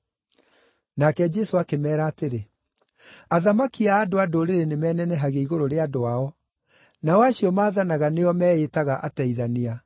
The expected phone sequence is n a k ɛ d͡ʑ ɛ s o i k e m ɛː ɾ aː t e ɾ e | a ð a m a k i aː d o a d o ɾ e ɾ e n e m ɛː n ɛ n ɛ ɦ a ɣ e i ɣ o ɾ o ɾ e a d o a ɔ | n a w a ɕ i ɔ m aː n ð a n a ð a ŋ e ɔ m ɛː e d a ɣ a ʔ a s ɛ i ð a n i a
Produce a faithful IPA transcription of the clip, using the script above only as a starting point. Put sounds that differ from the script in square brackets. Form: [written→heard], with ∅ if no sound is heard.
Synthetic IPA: n a k ɛ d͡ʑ ɛ s o [i→a] k e m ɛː ɾ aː t e ɾ e | a ð a m a k i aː d o a d o ɾ e ɾ e n e m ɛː n ɛ n ɛ ɦ a ɣ e i ɣ o ɾ o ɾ e a d o a ɔ | n a w a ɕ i ɔ m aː [n→∅] ð a n a [ð→ɣ] a [ŋ→n] e ɔ m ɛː e [d→t] a ɣ a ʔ a [s→t] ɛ i ð a n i a